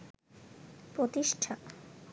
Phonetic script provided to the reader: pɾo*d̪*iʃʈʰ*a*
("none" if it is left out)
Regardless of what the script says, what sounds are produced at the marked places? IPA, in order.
t̪, a

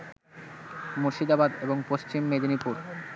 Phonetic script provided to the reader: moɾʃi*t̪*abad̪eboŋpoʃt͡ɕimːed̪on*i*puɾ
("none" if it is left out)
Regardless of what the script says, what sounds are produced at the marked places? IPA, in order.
d̪, i

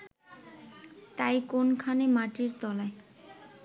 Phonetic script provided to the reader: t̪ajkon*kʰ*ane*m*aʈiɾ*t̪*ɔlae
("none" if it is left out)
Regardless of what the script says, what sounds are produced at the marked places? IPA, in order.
kʰ, m, t̪

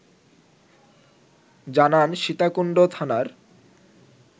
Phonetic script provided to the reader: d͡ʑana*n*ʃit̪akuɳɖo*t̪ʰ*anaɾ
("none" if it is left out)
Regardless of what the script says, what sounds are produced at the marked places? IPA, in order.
n, t̪ʰ

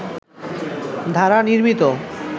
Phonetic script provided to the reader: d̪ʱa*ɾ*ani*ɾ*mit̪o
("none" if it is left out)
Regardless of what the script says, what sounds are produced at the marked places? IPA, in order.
ɾ, ɾ

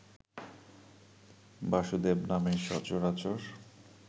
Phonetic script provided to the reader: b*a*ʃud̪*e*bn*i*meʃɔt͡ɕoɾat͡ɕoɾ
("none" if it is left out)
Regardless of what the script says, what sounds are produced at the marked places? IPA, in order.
a, e, a

